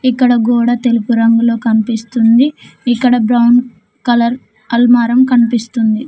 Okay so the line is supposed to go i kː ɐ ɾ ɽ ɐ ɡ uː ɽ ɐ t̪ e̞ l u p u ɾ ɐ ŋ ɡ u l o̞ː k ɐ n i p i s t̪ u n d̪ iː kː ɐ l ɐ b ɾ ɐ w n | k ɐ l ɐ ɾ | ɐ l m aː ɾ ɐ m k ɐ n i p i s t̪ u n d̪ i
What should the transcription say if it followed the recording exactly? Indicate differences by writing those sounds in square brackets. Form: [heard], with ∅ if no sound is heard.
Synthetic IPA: i kː ɐ [∅] ɽ ɐ ɡ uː ɽ ɐ t̪ e̞ l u p u ɾ ɐ ŋ ɡ u l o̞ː k ɐ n i p i s t̪ u n d̪ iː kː ɐ [ɽ] ɐ b ɾ ɐ w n | k ɐ l ɐ ɾ | ɐ l m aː ɾ ɐ m k ɐ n i p i s t̪ u n d̪ i